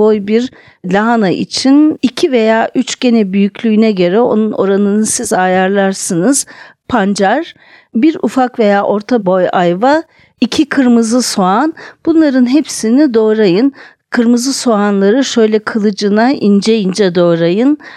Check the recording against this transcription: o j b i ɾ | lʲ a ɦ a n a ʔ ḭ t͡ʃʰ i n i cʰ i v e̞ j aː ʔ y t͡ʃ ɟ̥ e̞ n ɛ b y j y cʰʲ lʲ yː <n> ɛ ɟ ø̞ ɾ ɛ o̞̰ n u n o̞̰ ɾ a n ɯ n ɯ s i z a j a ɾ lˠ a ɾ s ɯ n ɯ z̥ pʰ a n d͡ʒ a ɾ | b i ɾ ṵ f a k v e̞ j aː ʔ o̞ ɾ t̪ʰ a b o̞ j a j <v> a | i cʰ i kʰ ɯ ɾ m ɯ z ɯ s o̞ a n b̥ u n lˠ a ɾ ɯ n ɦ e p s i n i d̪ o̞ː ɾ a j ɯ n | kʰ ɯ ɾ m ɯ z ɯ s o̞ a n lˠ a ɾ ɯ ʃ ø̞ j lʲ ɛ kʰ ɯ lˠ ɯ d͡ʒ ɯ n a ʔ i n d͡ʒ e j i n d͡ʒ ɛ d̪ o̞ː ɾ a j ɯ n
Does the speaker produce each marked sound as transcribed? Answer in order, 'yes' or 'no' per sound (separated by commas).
yes, yes